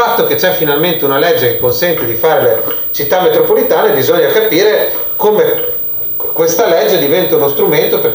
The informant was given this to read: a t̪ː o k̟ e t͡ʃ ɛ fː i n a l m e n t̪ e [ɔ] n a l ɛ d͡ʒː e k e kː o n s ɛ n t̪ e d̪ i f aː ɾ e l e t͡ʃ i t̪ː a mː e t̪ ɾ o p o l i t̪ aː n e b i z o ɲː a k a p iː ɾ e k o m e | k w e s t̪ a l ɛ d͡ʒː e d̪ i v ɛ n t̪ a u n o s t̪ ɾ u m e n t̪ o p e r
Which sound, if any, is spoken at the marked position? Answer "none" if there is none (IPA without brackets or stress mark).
u